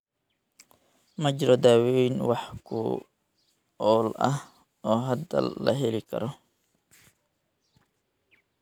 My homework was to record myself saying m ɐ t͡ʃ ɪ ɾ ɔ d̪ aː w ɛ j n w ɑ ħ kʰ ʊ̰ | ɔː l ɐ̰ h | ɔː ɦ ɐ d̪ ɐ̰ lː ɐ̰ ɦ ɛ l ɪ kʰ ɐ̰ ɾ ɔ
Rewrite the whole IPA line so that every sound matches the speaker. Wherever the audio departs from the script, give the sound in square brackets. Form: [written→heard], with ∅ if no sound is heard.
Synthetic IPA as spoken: m ɐ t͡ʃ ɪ ɾ ɔ d̪ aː w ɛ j n w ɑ ħ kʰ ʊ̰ | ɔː l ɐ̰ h | ɔː ɦ ɐ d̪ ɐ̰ lː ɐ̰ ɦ ɛ l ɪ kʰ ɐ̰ ɾ ɔ